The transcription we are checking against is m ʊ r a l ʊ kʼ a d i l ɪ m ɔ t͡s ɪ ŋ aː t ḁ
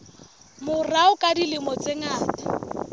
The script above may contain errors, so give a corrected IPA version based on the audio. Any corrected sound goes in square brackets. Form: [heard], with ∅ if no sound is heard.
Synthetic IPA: m ʊ r a [∅] ʊ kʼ a d i l ɪ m ɔ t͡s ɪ ŋ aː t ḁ